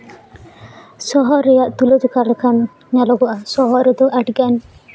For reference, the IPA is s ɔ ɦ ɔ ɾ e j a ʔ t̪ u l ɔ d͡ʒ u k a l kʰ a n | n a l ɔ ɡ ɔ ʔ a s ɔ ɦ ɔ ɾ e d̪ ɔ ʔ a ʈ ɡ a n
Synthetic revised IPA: s ɔ ɦ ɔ ɾ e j a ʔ t̪ u l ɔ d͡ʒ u k a l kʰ a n | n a l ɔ ɡ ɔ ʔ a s ɔ ɦ ɔ ɾ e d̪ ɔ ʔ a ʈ ɡ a n